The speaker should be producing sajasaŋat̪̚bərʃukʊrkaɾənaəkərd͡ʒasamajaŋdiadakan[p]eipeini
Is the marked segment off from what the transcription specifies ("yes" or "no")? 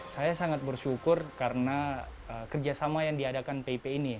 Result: no